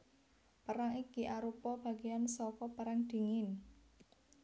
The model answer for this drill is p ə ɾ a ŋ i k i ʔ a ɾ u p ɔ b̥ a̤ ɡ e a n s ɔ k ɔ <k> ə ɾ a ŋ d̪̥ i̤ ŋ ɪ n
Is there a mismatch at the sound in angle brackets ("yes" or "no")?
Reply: yes